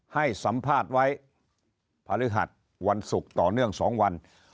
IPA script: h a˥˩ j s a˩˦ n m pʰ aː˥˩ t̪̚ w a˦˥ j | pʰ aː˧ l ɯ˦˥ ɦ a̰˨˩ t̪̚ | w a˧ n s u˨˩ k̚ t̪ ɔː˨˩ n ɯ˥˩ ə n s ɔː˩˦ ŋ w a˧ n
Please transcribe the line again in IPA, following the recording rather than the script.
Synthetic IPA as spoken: h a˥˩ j s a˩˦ m pʰ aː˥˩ t̪̚ w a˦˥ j | pʰ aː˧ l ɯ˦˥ ɦ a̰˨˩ t̪̚ | w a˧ n s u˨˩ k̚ t̪ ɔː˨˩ n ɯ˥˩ ə ŋ s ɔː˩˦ ŋ w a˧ n

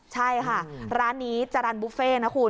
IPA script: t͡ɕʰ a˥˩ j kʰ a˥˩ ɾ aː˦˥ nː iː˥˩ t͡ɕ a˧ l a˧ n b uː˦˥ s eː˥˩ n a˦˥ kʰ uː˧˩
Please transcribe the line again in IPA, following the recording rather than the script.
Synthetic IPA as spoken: t͡ɕʰ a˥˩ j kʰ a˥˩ ɾ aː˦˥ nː iː˦˥ t͡ɕ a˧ ɾ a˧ n b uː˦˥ f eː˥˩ n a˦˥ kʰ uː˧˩

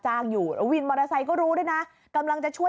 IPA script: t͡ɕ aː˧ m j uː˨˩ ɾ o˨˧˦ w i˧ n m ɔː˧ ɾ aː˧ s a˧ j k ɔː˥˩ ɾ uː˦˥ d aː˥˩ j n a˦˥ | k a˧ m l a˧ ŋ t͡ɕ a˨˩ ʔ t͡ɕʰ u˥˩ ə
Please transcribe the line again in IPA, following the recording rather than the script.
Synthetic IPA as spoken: t͡ɕ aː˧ ŋ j uː˨˩ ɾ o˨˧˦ w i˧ n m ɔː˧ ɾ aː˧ s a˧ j k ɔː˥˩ ɾ uː˦˥ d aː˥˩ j n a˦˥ | k a˧ m l a˧ ŋ t͡ɕ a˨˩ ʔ t͡ɕʰ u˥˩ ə

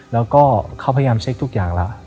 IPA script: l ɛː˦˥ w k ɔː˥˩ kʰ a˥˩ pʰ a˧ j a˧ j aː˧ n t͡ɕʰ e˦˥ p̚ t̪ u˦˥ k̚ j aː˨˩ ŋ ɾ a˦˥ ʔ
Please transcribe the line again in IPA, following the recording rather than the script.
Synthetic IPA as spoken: l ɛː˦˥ w k ɔː˥˩ kʰ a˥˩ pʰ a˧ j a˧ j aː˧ m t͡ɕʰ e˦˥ k̚ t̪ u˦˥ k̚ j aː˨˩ ŋ l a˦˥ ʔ

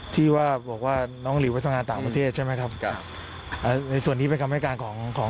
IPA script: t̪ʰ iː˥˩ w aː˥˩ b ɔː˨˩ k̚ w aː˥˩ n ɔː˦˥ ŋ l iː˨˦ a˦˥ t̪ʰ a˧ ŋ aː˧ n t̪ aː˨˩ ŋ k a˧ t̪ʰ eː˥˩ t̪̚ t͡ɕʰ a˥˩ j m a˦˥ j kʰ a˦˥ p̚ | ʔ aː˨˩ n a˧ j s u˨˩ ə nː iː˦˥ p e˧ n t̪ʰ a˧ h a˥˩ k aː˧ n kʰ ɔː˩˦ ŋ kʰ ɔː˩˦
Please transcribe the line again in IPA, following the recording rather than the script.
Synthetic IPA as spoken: t̪ʰ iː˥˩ w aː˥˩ b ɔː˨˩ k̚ w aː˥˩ n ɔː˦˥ ŋ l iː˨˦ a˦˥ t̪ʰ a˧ ŋ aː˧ n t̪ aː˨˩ ŋ p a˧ t̪ʰ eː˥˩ t̪̚ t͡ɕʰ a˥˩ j m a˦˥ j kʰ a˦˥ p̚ | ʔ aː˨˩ n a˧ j s u˨˩ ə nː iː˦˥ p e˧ n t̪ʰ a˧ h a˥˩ k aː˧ n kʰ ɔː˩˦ ŋ kʰ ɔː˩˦

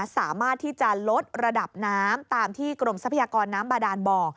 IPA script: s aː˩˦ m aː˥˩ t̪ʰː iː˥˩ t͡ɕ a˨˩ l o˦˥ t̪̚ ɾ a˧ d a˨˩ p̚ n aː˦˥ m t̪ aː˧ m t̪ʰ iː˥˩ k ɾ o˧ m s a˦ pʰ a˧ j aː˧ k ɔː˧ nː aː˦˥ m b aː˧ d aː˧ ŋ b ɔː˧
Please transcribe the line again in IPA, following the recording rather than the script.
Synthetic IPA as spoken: s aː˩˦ m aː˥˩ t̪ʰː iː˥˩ t͡ɕ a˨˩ l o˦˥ t̪̚ ɾ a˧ d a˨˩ p̚ n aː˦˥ m t̪ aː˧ m t̪ʰ iː˥˩ k ɾ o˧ m s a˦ pʰ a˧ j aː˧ k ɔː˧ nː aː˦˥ m b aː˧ d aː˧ n b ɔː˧

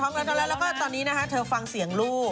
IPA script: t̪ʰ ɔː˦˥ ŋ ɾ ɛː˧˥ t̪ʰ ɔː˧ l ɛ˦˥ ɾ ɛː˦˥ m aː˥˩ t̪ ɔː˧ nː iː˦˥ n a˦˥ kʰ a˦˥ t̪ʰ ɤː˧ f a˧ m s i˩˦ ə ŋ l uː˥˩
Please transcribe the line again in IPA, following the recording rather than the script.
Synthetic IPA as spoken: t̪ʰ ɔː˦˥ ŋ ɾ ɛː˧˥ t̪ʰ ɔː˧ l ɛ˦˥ l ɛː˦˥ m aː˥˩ t̪ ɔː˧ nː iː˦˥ n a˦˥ kʰ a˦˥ t̪ʰ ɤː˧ f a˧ ŋ s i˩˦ ə ŋ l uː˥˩

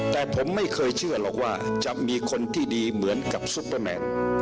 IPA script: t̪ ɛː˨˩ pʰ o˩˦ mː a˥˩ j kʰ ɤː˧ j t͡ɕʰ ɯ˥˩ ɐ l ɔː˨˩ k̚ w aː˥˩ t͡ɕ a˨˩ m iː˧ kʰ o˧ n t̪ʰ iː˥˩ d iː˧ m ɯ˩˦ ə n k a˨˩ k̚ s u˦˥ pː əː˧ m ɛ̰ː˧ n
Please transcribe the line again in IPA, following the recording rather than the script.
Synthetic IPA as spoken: t̪ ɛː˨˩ pʰ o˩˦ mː a˥˩ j kʰ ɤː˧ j t͡ɕʰ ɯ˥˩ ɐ l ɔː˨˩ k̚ w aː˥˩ t͡ɕ a˨˩ m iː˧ kʰ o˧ n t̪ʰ iː˥˩ d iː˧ m ɯ˩˦ ə n k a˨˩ p̚ s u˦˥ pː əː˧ m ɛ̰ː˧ n

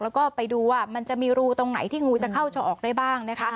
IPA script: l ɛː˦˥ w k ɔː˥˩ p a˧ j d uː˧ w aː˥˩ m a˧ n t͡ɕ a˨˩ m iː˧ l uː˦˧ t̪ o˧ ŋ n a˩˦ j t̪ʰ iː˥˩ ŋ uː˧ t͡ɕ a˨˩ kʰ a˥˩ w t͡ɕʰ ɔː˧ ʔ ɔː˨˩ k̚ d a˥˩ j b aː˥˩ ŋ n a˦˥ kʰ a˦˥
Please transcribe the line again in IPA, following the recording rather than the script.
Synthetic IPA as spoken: l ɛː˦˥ w k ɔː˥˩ p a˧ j d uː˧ w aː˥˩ m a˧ n t͡ɕ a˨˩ m iː˧ ɾ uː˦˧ t̪ o˧ ŋ n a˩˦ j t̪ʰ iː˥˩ ŋ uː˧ t͡ɕ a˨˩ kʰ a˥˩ w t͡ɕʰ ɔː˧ ʔ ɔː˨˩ k̚ d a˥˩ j b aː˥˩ ŋ n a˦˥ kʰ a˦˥

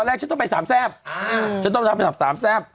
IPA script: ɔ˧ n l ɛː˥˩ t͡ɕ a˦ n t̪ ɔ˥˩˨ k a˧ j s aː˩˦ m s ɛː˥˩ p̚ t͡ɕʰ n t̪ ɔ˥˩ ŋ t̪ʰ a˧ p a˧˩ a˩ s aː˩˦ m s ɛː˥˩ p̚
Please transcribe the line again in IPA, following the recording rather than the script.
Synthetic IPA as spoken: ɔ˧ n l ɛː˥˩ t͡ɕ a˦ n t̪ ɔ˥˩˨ p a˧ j s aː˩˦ m s ɛː˥˩ p̚ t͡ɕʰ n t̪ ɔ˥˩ ŋ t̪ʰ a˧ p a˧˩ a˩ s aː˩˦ m s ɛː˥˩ p̚

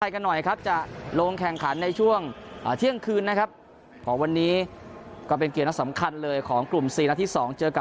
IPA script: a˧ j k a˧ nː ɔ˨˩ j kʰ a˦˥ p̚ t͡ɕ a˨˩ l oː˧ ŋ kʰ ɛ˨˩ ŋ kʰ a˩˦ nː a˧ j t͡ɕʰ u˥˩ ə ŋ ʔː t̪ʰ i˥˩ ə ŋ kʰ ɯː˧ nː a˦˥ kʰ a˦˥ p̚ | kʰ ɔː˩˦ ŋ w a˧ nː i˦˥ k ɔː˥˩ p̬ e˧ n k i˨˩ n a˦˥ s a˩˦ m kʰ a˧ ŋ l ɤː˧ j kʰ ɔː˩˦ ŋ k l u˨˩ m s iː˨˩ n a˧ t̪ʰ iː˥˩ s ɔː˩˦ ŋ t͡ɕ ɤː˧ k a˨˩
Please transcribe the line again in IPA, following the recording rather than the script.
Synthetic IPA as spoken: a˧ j k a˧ nː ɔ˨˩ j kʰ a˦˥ p̚ t͡ɕ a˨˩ l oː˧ ŋ kʰ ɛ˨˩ ŋ kʰ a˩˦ nː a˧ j t͡ɕʰ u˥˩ ə ŋ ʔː t̪ʰ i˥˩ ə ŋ kʰ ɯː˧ nː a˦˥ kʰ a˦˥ p̚ | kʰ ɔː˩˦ ŋ w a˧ nː iː˦˥ k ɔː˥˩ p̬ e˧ n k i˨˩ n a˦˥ s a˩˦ m kʰ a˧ n l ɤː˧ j kʰ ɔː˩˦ ŋ k l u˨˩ m s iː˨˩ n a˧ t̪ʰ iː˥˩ s ɔː˩˦ ŋ t͡ɕ ɤː˧ k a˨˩

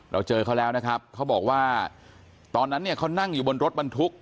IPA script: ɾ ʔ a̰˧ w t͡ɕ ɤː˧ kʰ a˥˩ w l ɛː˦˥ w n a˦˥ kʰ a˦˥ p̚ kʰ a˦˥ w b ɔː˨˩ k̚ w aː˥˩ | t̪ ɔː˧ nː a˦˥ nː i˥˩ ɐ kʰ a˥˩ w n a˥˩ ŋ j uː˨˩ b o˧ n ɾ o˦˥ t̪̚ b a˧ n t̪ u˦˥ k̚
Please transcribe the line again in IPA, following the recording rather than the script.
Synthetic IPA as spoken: ɾ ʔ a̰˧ w t͡ɕ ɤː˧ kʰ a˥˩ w l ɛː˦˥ w n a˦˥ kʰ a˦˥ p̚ kʰ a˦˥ w b ɔː˨˩ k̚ w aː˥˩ | t̪ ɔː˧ nː a˦˥ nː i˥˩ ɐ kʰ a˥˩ w n a˥˩ ŋ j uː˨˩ b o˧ n ɾ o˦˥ t̪̚ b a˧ n t̪ʰ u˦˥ k̚

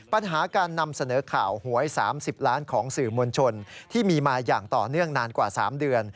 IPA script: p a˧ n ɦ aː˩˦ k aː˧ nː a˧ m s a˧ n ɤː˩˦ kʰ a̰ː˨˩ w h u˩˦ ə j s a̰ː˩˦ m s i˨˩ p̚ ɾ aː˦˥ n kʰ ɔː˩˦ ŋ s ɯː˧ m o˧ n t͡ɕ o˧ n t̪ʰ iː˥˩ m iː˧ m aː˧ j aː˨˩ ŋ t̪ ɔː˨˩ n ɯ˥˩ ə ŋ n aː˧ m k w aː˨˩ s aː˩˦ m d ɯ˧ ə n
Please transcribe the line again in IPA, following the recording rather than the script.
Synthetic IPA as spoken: p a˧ n ɦ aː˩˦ k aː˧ nː a˧ m s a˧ n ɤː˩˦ kʰ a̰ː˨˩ w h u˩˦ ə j s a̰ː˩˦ m s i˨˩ p̚ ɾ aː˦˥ n kʰ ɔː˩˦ ŋ s ɯː˨˩ m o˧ n t͡ɕʰ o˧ n t̪ʰ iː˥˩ m iː˧ m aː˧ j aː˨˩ ŋ t̪ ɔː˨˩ n ɯ˥˩ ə ŋ n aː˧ n k w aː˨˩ s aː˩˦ m d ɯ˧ ə n

